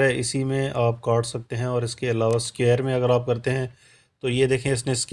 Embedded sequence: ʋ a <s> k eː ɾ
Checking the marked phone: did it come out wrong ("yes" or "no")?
no